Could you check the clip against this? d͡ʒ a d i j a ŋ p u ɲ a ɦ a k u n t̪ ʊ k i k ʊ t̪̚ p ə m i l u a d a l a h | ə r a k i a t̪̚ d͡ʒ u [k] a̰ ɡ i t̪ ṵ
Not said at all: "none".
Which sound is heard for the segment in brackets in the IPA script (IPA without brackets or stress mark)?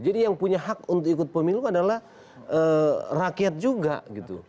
ɡ